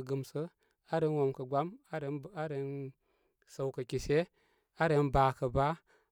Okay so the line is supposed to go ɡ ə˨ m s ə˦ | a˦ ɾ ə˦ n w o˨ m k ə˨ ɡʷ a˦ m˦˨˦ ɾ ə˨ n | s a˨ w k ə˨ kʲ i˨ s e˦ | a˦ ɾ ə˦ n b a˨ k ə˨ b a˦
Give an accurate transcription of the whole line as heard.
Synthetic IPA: ɡ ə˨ m s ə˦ | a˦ ɾ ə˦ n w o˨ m k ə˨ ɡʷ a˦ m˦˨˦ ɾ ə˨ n | s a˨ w k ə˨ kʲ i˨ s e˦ | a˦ ɾ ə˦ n b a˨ k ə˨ b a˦